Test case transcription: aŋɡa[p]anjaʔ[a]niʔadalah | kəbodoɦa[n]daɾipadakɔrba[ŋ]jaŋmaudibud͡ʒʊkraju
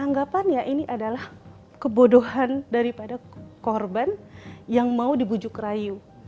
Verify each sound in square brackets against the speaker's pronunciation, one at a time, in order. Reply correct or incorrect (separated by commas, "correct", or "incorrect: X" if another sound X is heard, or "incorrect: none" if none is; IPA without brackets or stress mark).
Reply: correct, incorrect: i, correct, incorrect: n